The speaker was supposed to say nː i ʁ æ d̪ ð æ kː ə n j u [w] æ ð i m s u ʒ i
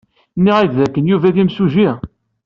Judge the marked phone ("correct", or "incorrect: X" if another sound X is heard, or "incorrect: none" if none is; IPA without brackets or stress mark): incorrect: v